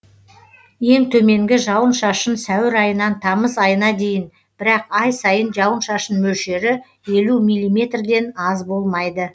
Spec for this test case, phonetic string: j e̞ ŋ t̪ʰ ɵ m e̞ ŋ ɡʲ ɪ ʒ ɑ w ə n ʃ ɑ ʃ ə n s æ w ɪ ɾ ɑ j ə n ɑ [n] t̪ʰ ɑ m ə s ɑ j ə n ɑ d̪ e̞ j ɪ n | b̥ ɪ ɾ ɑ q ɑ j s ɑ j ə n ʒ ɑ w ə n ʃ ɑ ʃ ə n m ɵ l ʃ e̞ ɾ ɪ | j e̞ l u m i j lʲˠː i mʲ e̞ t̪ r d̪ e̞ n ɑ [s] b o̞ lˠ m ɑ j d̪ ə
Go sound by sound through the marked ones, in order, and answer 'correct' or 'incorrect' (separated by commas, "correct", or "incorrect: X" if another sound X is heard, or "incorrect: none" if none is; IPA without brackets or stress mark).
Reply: correct, incorrect: z